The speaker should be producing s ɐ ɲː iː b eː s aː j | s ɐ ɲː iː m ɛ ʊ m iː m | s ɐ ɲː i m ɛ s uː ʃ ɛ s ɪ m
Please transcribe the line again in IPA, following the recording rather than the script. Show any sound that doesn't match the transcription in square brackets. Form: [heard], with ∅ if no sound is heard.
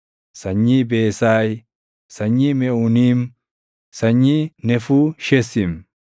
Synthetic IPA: s ɐ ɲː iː b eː s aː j | s ɐ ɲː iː m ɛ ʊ [n] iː m | s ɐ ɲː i [n] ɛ [f] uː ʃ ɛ s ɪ m